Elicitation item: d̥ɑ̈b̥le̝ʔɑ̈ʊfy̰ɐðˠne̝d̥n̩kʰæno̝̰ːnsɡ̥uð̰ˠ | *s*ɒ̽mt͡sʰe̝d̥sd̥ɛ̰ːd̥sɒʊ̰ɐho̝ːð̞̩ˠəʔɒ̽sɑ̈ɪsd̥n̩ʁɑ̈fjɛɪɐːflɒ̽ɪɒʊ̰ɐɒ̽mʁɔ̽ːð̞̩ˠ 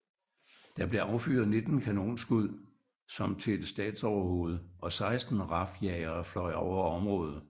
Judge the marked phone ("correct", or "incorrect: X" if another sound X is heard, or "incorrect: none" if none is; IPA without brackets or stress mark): correct